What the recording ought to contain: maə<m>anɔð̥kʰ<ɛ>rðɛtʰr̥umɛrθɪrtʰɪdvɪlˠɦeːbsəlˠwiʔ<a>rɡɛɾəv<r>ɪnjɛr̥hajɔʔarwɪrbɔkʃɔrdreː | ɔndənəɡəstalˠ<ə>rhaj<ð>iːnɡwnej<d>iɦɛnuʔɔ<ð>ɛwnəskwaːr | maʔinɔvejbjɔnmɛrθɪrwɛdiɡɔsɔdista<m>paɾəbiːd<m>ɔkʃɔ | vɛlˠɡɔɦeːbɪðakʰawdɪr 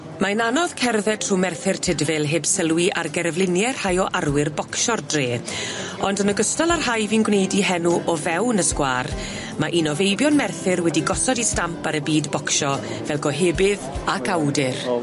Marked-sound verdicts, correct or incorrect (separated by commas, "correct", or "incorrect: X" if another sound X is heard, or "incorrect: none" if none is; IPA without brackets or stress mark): incorrect: n, correct, correct, incorrect: l, incorrect: a, incorrect: v, correct, incorrect: v, correct, incorrect: b